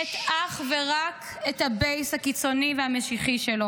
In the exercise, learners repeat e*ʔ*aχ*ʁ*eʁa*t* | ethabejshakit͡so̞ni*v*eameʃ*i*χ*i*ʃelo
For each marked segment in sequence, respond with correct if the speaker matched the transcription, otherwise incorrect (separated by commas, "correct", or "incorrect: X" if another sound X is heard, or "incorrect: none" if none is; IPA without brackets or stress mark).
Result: incorrect: t, incorrect: v, incorrect: k, correct, correct, correct